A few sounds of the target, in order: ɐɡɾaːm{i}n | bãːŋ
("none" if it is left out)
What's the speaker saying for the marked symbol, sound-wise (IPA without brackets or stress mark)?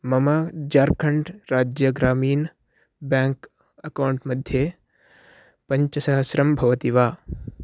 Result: iː